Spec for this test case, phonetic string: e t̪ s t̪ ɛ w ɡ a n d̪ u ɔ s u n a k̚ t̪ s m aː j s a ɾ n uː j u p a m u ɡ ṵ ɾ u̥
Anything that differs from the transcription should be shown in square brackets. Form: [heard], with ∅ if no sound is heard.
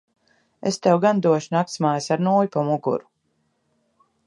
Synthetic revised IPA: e [∅] s t̪ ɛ w ɡ a n d̪ u ɔ [ʃ] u n a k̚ t̪ s m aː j s a ɾ n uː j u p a m u ɡ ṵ ɾ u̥